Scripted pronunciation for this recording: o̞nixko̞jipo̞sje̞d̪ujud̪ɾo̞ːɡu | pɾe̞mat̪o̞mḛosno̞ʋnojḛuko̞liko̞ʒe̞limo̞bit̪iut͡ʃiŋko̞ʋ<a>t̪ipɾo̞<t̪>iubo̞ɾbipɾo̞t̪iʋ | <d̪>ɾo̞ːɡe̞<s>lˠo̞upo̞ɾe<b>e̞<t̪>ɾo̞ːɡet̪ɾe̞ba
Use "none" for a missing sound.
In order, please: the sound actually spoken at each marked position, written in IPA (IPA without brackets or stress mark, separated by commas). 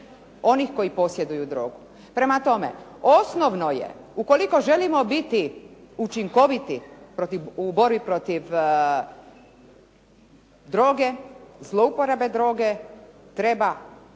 i, t̪, d̪, z, b, d̪